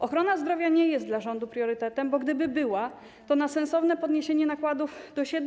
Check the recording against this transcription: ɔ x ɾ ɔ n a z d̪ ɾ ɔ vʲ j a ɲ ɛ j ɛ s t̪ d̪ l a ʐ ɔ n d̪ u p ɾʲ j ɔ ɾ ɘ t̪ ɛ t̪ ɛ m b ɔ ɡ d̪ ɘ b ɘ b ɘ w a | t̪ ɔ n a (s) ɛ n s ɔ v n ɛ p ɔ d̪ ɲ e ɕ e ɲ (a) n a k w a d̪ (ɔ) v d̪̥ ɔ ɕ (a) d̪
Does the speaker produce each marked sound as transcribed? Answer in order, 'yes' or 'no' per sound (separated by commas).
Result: yes, no, no, no